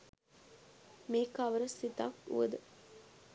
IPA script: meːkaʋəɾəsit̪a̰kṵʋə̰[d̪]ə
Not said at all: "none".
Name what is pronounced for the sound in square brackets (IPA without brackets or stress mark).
d̪